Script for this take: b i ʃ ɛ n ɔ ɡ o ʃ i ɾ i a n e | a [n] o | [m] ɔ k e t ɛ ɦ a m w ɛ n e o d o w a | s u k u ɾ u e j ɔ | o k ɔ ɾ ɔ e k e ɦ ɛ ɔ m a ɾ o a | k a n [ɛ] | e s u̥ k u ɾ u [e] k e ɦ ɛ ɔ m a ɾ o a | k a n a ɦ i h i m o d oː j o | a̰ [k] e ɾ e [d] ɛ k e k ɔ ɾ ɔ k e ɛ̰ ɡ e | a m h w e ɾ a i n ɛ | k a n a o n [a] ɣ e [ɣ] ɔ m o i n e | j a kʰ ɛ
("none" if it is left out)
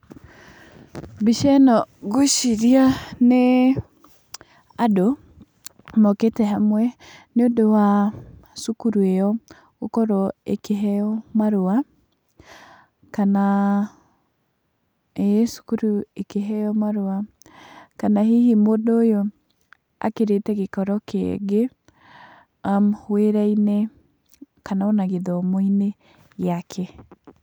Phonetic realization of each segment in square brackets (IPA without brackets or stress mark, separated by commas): d, m, a, e, k, t, a, ð